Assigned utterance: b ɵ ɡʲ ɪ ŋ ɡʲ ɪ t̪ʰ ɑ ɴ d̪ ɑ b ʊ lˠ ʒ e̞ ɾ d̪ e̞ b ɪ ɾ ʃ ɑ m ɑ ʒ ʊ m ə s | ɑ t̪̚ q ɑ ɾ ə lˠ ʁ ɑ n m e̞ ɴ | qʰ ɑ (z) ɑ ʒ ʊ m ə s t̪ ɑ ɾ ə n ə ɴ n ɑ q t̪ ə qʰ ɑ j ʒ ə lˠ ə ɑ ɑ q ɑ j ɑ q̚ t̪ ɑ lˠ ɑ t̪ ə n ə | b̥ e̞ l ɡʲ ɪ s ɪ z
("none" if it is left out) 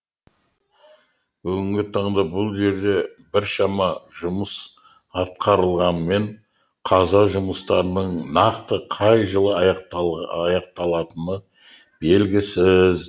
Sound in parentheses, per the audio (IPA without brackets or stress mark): z